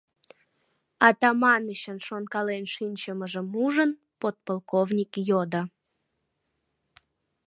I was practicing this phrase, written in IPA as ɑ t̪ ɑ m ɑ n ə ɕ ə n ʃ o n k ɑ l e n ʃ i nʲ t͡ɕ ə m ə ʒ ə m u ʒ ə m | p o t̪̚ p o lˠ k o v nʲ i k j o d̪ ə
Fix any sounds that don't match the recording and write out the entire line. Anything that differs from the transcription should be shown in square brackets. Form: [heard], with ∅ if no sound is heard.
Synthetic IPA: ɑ t̪ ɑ m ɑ n ə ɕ ə n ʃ o n k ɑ l e n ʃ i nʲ t͡ɕ ə m ə ʒ ə m u ʒ ə [n] | p o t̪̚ p o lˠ k o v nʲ i k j o d̪ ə